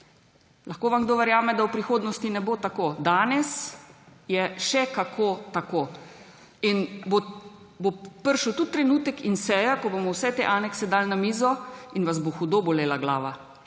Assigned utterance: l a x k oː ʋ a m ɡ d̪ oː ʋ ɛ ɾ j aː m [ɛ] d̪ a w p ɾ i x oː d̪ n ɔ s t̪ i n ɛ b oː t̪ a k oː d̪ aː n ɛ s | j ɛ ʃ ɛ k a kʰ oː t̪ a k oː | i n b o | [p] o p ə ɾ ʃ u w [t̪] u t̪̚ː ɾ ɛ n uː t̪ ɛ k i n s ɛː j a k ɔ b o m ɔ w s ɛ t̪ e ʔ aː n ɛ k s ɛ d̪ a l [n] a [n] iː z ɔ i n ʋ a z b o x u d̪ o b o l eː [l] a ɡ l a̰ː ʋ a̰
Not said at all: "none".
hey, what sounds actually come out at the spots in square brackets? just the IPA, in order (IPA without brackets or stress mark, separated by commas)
ɛ, b, t̪, n, m, l